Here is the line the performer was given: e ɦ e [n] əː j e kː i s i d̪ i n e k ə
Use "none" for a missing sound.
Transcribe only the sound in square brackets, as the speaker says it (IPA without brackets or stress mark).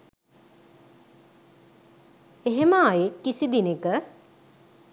m